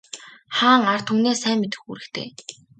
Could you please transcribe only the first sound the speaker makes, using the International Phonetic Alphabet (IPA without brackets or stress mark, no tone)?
χ